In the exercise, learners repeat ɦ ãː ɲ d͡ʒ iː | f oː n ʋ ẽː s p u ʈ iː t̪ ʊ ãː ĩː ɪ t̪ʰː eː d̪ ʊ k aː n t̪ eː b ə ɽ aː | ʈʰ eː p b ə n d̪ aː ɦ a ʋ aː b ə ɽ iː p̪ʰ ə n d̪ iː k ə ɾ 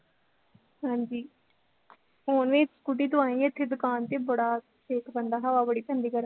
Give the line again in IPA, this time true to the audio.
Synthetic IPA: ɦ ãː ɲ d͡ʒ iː | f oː n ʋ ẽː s k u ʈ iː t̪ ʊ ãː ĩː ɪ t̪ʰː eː d̪ ʊ k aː n t̪ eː b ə ɽ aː | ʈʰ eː k b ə n d̪ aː ɦ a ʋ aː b ə ɽ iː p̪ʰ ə n d̪ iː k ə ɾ